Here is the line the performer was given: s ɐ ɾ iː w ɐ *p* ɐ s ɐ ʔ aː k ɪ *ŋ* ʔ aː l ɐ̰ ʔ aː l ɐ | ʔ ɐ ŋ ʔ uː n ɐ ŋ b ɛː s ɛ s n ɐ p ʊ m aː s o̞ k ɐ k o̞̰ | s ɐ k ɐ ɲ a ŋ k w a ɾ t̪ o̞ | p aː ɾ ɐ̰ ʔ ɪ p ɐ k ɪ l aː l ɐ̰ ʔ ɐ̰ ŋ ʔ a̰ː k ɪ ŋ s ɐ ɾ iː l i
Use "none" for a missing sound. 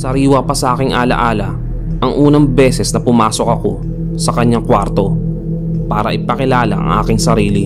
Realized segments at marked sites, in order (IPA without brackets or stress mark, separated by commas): p, ŋ